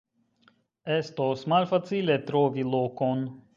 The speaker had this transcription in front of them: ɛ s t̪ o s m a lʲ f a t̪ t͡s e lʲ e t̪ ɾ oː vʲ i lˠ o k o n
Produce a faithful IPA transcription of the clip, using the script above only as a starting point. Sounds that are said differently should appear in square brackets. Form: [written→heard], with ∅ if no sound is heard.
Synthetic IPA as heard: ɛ s t̪ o s m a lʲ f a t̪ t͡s [e→i] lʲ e t̪ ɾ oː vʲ i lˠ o k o n